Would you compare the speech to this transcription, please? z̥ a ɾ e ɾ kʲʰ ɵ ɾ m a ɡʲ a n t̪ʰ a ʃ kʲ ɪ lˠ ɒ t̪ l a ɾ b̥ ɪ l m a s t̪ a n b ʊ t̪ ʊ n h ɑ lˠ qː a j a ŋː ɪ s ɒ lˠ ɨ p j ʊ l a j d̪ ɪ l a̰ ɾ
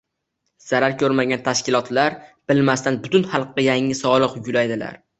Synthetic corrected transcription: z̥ a ɾ a ɾ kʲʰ ɵ ɾ m a ɡʲ a n t̪ʰ a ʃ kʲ ɪ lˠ ɒ t̪ l a ɾ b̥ ɪ l m a s t̪ a n b ʊ t̪ ʊ n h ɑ lˠ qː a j a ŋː ɪ s ɒ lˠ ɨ q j ʊ l a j d̪ ɪ l a̰ ɾ